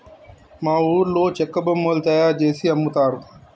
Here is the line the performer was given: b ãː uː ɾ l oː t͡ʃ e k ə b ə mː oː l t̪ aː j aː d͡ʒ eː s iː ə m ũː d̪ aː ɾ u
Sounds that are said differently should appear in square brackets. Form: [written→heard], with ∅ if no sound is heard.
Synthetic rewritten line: [b→m] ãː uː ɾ l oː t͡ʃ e k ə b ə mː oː l t̪ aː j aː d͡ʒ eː s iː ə m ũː [d̪→t̪] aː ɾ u